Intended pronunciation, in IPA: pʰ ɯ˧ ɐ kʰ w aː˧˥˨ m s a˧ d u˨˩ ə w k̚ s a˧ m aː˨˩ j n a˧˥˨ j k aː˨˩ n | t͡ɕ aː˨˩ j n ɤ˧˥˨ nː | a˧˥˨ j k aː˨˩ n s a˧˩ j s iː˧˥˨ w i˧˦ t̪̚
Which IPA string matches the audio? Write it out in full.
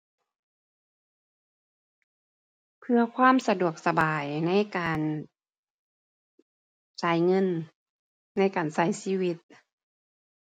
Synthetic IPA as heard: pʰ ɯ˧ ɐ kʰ w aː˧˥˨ m s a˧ d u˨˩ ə k̚ s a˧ b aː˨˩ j n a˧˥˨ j k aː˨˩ n | t͡ɕ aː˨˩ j ŋ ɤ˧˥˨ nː | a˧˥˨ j k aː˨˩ n s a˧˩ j s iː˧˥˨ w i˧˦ t̪̚